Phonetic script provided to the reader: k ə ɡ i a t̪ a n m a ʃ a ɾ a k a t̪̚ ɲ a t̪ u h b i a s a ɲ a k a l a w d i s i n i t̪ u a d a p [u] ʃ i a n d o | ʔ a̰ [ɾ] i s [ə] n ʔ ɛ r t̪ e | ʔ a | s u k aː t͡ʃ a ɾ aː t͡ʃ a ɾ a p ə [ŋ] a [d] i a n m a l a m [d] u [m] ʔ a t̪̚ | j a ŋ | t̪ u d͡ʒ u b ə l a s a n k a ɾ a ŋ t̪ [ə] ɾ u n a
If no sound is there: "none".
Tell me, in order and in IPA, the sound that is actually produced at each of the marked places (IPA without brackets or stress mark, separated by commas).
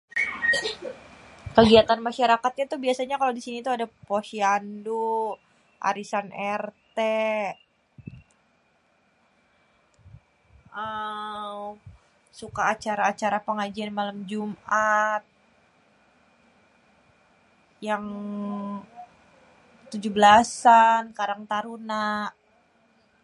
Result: o, ɾ, a, ŋ, d͡ʒ, d͡ʒ, m, a